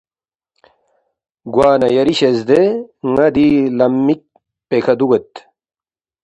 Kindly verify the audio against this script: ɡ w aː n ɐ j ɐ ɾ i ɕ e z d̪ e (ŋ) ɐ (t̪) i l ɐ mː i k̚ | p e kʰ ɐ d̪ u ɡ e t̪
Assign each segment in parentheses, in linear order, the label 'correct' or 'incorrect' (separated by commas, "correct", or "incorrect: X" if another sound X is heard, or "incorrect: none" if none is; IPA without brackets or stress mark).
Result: correct, incorrect: d̪